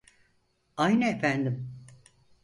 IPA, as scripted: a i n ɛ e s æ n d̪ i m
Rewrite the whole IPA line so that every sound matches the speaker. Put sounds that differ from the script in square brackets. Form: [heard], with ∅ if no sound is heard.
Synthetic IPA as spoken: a [j] n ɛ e [f] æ n d̪ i m